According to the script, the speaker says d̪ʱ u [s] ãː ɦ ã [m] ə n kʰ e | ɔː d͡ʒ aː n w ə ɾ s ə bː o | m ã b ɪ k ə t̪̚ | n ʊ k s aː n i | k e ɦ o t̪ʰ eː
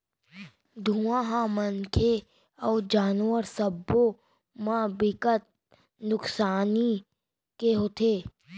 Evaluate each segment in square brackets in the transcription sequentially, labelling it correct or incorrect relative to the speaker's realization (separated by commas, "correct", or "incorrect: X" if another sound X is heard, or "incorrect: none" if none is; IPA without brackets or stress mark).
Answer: incorrect: none, correct